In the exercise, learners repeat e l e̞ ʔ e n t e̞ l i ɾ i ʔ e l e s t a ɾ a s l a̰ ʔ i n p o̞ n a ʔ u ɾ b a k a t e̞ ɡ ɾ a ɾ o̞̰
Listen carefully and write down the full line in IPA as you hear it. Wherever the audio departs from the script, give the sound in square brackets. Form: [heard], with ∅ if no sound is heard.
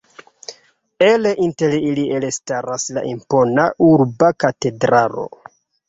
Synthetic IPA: e l e̞ ʔ [i] n t e̞ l i [l] i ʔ e l e s t a ɾ a s l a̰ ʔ i [m] p o̞ n a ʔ u ɾ b a k a t e̞ [d] ɾ a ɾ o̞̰